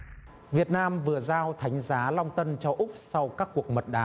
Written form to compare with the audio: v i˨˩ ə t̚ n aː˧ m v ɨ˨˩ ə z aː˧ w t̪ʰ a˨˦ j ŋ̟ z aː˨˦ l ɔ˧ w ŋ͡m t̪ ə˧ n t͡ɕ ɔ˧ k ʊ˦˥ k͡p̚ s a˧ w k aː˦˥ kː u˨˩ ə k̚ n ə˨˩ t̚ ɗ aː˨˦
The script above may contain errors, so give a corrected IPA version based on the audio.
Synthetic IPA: v i˨˩ ə t̚ n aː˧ m v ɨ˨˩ ə z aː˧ w t̪ʰ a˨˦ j ŋ̟ z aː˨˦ l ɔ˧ w ŋ͡m t̪ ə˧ n t͡ɕ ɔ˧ ʔ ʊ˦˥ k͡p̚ s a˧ w k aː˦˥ kː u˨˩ ə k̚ m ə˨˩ t̚ ɗ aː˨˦